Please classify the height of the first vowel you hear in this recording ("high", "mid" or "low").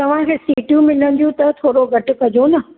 low